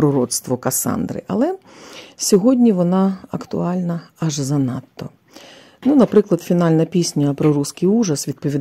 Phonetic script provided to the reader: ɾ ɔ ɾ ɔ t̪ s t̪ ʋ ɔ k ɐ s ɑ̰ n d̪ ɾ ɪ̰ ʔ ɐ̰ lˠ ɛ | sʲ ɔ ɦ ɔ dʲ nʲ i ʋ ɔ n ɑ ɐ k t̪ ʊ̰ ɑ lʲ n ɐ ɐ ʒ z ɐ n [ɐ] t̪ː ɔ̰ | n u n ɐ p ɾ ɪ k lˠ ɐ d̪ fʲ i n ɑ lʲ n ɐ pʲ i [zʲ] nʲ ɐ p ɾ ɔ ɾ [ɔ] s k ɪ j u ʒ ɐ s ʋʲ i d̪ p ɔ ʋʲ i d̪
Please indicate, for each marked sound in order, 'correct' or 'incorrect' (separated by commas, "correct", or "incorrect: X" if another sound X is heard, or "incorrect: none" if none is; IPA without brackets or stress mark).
incorrect: ɑ, incorrect: sʲ, incorrect: u